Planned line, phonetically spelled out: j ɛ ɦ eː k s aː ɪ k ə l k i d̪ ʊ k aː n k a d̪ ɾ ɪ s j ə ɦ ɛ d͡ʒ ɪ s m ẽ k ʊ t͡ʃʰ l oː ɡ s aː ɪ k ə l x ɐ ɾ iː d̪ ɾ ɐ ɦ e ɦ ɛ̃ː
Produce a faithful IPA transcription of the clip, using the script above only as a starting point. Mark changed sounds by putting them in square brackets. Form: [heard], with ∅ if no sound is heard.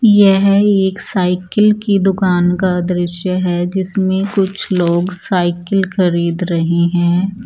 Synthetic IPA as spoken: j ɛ ɦ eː k s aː ɪ k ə l k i d̪ ʊ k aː n k a d̪ ɾ ɪ [ʃ] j ə ɦ ɛ d͡ʒ ɪ s m ẽ k ʊ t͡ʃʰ l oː ɡ s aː ɪ k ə l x ɐ ɾ iː d̪ ɾ ɐ ɦ e ɦ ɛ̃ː